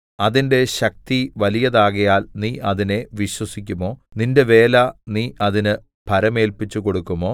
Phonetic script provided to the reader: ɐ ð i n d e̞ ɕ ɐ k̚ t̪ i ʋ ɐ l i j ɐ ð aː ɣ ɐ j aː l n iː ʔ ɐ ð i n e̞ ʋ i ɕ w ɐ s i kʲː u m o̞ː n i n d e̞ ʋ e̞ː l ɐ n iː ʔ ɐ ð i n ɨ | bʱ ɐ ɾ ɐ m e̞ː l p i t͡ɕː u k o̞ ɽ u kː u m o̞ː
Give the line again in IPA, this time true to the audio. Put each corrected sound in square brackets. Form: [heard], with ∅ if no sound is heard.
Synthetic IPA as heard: ɐ ð i n d e̞ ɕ ɐ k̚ t̪ i ʋ ɐ l i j ɐ ð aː ɣ ɐ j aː l n iː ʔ ɐ ð i n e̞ ʋ i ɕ w ɐ s i kʲː u m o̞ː n i n d e̞ ʋ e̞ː l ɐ n iː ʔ ɐ ð i n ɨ | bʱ ɐ ɾ ɐ m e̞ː l p i t͡ɕː u k o̞ ɽ u kː u m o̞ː

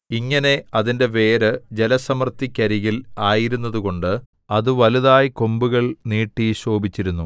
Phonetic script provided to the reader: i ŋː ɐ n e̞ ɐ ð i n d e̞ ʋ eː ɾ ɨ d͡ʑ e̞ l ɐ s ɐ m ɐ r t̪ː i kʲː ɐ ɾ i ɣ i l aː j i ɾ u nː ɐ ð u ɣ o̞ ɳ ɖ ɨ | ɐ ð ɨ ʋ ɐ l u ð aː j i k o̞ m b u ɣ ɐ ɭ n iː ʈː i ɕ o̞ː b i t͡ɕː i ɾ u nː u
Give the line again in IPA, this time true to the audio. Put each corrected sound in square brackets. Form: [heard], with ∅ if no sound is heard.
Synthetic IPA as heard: i ŋː ɐ n e̞ ɐ ð i n d e̞ ʋ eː ɾ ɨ d͡ʑ e̞ l ɐ s ɐ m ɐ r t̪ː i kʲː ɐ ɾ i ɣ i l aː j i ɾ u nː ɐ ð u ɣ o̞ ɳ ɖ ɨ | ɐ ð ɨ ʋ ɐ l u ð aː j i k o̞ m b u ɣ ɐ ɭ n iː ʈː i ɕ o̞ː b i t͡ɕː i ɾ u nː u

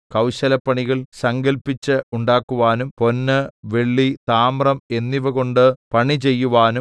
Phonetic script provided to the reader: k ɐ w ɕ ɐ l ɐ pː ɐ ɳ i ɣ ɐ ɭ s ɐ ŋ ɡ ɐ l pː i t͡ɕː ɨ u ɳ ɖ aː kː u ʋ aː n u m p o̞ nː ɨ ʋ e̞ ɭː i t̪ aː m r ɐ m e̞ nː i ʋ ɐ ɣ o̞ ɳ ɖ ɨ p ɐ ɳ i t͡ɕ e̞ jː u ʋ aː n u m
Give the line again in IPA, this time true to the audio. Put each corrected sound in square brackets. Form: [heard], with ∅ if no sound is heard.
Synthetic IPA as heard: k ɐ w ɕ ɐ l ɐ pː ɐ ɳ i ɣ ɐ ɭ s ɐ ŋ ɡ ɐ l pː i t͡ɕː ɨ u ɳ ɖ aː kː u ʋ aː n u m p o̞ nː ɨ ʋ e̞ ɭː i t̪ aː m r ɐ m e̞ nː i ʋ ɐ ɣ o̞ ɳ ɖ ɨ p ɐ ɳ i t͡ɕ e̞ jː u ʋ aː n u m

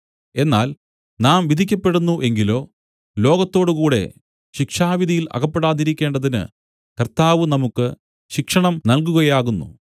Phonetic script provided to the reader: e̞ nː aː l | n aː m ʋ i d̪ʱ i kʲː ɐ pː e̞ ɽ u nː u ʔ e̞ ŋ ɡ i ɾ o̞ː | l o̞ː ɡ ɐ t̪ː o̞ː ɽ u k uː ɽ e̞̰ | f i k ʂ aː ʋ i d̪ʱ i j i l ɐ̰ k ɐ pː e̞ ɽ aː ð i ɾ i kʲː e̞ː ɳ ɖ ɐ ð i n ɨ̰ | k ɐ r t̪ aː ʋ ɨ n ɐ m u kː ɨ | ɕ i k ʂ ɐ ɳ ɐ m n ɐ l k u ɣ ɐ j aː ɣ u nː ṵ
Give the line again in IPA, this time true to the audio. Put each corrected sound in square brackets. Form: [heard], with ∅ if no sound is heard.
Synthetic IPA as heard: e̞ nː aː l | n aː m ʋ i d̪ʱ i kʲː ɐ pː e̞ ɽ u nː u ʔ e̞ ŋ ɡ i [l] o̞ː | l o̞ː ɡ ɐ t̪ː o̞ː ɽ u k uː ɽ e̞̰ | [ɕ] i k ʂ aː ʋ i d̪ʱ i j i l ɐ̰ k ɐ pː e̞ ɽ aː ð i ɾ i kʲː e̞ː ɳ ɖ ɐ ð i n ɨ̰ | k ɐ r t̪ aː ʋ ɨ n ɐ m u kː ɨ | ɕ i k ʂ ɐ ɳ ɐ m n ɐ l k u ɣ ɐ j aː ɣ u nː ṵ

